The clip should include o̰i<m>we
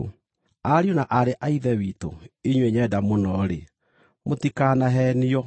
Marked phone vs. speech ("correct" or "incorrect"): incorrect